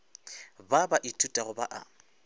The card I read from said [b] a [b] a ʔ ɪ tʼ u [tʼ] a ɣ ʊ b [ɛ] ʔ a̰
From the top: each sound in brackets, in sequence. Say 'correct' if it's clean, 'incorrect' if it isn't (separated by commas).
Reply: correct, correct, correct, incorrect